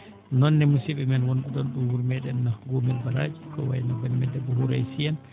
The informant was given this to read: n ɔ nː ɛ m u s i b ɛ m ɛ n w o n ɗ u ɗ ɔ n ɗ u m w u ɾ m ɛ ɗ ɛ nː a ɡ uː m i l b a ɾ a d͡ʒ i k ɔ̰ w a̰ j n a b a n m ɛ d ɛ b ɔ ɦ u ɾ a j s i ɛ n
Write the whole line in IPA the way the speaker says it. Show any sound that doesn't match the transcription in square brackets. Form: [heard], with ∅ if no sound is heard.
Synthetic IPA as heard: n ɔ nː ɛ m u s i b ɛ m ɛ n w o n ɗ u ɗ ɔ n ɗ u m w u ɾ m ɛ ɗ ɛ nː a ɡ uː m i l b a ɾ a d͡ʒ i k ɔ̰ w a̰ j n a b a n m ɛ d ɛ b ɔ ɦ u ɾ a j s i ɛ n